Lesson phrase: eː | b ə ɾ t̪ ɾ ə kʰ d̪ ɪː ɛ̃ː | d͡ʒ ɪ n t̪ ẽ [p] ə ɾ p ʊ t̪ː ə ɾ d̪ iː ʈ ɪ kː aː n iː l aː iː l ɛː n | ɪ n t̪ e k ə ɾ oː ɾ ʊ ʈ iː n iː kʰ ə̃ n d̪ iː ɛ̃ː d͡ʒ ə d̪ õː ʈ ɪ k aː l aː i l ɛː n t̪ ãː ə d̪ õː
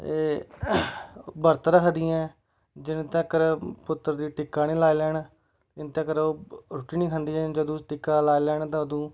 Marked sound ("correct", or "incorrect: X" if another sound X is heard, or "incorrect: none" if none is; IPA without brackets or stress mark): incorrect: k